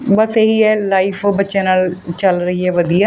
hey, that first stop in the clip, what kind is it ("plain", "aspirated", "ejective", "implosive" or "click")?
plain